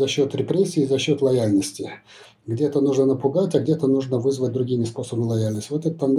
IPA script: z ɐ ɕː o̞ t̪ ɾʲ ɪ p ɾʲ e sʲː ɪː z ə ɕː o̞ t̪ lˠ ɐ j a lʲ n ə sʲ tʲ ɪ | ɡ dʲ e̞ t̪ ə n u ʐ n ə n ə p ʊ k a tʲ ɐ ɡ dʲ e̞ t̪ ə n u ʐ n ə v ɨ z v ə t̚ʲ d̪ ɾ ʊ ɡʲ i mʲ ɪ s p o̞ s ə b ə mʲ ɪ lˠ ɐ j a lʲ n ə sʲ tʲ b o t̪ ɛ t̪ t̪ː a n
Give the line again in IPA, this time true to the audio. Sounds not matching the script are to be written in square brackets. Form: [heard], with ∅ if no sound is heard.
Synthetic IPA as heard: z ɐ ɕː o̞ t̪ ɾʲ ɪ p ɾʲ e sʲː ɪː z [ɐ] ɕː o̞ t̪ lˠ ɐ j a lʲ n ə sʲ tʲ ɪ | ɡ dʲ e̞ t̪ ə n u ʐ n ə n ə p ʊ [ɡ] a tʲ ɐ ɡ dʲ e̞ t̪ ə n u ʐ n ə v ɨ z v ə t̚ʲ d̪ ɾ ʊ ɡʲ i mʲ ɪ s p o̞ s ə b ə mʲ ɪ lˠ ɐ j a lʲ n ə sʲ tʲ [v] o t̪ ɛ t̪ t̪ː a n